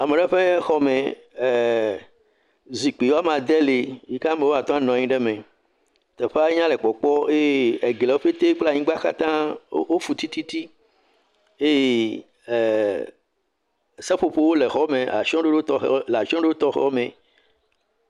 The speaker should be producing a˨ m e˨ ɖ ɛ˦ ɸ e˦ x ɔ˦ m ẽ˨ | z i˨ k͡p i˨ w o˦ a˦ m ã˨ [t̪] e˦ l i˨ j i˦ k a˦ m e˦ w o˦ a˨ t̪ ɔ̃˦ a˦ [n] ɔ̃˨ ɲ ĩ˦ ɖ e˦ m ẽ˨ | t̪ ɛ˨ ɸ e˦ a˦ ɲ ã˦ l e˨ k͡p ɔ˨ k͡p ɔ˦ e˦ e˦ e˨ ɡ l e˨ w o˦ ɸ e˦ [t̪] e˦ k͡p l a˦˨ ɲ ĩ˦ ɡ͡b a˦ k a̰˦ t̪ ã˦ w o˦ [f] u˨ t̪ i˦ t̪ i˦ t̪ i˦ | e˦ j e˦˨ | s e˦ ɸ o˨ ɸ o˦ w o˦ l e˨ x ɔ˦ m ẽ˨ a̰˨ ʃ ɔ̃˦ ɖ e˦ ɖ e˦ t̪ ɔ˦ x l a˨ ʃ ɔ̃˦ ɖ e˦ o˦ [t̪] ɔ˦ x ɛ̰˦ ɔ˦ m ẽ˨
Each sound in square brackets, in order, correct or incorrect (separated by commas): incorrect, correct, correct, correct, correct